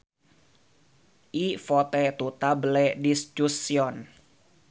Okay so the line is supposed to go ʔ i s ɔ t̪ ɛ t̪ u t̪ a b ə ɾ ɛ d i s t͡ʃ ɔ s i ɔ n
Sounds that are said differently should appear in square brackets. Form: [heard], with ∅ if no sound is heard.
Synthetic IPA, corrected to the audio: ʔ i [f] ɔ t̪ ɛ t̪ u t̪ a b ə [l] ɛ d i s t͡ʃ [u] s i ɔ n